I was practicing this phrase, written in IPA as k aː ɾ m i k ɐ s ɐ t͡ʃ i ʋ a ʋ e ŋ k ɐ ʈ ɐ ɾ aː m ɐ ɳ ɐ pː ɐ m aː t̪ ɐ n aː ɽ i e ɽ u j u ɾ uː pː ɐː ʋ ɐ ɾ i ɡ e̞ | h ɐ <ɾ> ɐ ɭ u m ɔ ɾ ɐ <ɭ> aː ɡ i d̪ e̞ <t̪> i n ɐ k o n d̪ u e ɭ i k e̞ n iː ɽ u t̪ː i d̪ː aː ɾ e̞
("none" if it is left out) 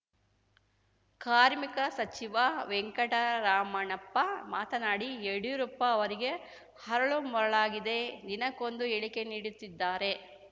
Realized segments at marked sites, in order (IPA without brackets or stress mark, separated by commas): ɾ, ɭ, d̪